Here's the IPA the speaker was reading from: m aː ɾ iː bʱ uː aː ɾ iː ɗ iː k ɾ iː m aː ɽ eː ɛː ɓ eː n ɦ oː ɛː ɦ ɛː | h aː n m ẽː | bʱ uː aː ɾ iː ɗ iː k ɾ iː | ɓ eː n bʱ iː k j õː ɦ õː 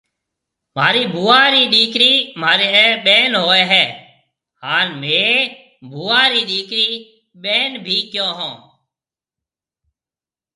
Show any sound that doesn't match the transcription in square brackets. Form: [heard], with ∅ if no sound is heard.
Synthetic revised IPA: m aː ɾ iː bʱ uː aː ɾ iː ɗ iː k ɾ iː m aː [ɾ] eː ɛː ɓ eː n ɦ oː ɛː ɦ ɛː | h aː n m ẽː | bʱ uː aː ɾ iː ɗ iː k ɾ iː | ɓ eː n bʱ iː k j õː ɦ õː